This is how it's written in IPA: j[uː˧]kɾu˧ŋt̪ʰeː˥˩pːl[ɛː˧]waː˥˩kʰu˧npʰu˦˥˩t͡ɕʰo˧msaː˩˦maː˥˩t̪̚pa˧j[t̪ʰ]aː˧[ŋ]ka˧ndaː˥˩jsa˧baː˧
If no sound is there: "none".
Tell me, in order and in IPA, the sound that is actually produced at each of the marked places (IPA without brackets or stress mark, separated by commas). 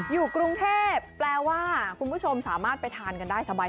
uː˨˩, ɛː˧, t̪ʰ, n